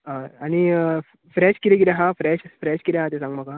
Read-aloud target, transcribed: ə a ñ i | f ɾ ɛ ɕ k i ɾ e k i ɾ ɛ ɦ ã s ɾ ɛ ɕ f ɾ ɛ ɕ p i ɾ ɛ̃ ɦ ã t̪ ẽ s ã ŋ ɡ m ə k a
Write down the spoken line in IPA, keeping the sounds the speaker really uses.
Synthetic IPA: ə a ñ i | f ɾ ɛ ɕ k i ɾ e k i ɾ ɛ ɦ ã f ɾ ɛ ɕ f ɾ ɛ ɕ k i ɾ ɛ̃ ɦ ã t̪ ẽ s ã ŋ ɡ m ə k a